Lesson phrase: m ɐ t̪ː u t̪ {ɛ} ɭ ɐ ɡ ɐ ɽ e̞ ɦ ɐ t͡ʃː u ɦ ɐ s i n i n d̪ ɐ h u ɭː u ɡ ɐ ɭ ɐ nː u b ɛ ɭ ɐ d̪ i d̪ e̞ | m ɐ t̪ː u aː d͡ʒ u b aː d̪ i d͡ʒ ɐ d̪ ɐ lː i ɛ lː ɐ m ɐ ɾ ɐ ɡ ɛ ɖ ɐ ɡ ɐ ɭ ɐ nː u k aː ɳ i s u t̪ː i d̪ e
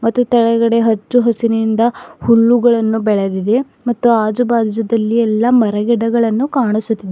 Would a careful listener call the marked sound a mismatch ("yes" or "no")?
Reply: no